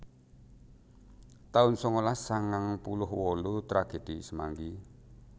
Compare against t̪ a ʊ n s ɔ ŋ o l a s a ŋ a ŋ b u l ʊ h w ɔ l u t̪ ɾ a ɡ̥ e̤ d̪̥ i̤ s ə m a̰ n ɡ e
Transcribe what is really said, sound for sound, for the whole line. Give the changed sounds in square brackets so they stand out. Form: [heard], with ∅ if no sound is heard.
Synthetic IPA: t̪ a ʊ n s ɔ ŋ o l a s a ŋ a ŋ [p] u l ʊ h w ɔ l u t̪ ɾ a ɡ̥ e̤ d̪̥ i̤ s ə m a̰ [ŋ] ɡ [i]

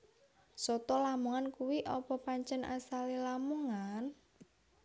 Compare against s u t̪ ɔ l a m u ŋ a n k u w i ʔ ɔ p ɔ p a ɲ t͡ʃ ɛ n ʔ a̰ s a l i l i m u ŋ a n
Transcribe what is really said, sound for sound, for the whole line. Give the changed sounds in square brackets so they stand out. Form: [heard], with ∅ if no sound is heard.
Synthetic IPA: s [ɔ] t̪ ɔ l a m u ŋ a n k u w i ʔ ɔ p ɔ p a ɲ t͡ʃ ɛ n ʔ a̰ s a l i l [a] m u ŋ a n

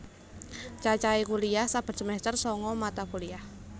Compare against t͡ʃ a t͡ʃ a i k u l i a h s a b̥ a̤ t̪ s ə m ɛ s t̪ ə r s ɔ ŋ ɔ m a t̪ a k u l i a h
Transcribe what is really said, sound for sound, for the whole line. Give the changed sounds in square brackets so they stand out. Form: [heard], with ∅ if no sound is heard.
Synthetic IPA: t͡ʃ a t͡ʃ a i k u l i a h s a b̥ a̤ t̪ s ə m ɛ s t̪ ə r s ɔ ŋ ɔ m a t̪ a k u l i a h

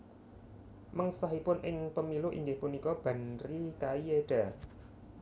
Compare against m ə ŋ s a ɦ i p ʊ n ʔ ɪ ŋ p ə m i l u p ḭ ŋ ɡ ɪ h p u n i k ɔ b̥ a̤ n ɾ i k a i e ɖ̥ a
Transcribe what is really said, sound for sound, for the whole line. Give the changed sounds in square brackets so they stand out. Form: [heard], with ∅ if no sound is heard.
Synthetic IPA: m ə ŋ s a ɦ i p ʊ n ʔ ɪ ŋ p ə m i l u [ʔ] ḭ ŋ ɡ ɪ h p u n i k ɔ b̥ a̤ n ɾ i k a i e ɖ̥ a

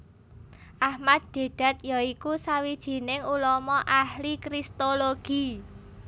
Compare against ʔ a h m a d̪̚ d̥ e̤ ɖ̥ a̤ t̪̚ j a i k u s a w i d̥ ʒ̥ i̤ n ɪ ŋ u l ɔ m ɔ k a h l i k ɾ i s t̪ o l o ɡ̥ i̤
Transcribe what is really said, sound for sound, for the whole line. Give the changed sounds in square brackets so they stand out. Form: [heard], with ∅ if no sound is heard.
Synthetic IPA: ʔ a h m a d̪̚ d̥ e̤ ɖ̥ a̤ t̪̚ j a i k u s a w i d̥ ʒ̥ i̤ n ɪ ŋ u l ɔ m ɔ [ʔ] a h l i k ɾ i s t̪ o l o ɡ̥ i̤

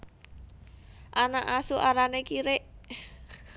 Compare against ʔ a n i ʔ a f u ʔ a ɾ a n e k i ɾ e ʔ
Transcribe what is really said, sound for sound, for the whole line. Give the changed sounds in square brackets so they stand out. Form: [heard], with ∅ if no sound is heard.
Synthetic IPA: ʔ a n [a] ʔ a [s] u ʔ a ɾ a n e k i ɾ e ʔ

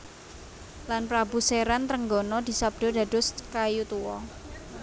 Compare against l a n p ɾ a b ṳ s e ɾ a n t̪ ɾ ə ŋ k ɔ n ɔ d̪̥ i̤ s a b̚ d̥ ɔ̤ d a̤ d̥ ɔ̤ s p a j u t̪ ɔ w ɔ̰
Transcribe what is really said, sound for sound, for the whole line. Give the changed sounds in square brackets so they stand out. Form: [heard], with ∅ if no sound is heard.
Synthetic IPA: l a n p ɾ a b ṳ s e ɾ a n t̪ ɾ ə ŋ [ɡ] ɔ n ɔ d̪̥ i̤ s a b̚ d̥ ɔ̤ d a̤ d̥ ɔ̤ s [k] a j u t̪ [u] w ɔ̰

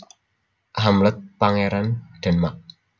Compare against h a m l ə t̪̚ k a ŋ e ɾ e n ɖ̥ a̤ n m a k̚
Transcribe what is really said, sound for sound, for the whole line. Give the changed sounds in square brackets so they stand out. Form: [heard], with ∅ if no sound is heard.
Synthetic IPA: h a m l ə t̪̚ [p] a ŋ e ɾ [a] n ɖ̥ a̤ n m a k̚

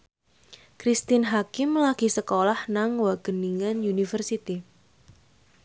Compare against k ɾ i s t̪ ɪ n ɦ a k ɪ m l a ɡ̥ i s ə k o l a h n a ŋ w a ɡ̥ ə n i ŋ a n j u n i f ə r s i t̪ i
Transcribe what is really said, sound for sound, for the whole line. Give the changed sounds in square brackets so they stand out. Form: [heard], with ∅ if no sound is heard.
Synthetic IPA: k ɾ i s t̪ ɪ n ɦ a k ɪ m l a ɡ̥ i s ə k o l a h n a ŋ w a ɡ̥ ə n i ŋ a n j u n i f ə r s i t̪ i

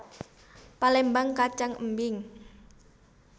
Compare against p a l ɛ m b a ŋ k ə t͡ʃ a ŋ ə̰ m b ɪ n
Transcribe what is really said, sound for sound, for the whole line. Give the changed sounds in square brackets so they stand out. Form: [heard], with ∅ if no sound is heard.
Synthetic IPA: p a l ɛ m b a ŋ k [a] t͡ʃ a ŋ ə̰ m b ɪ [ŋ]

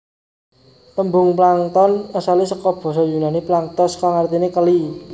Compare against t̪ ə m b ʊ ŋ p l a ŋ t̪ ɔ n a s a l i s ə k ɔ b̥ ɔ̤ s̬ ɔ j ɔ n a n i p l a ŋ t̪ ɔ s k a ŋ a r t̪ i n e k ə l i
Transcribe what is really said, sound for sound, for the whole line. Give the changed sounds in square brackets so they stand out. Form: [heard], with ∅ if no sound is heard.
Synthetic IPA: t̪ ə m b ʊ ŋ p l a ŋ t̪ ɔ n a s a l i s ə k ɔ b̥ ɔ̤ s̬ ɔ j [u] n a n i p l a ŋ t̪ ɔ s k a ŋ a r t̪ i n e k ə l i

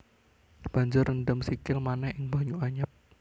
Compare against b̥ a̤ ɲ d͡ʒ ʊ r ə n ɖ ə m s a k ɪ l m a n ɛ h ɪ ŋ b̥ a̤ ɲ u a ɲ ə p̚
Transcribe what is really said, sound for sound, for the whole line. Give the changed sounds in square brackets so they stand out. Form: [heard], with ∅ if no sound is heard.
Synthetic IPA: b̥ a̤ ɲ d͡ʒ ʊ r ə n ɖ ə m s [i] k ɪ l m a n ɛ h ɪ ŋ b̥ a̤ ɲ u a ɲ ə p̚

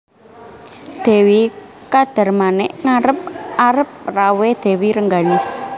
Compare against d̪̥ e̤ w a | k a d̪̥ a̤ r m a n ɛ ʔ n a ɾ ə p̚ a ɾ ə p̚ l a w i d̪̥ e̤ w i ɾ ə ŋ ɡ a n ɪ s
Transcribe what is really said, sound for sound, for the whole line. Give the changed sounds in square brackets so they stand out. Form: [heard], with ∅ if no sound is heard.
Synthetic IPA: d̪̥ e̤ w [i] | k a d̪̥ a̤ r m a n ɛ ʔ [ŋ] a ɾ ə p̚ a ɾ ə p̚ [r] a w [e] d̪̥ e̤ w i ɾ ə ŋ ɡ a n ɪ s

